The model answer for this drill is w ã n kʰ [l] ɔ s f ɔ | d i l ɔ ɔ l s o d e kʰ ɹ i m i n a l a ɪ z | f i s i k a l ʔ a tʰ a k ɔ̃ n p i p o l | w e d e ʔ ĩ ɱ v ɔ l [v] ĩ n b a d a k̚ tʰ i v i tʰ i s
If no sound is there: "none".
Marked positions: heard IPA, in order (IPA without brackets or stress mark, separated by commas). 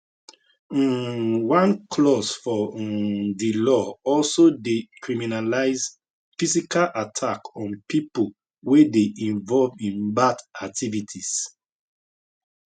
l, v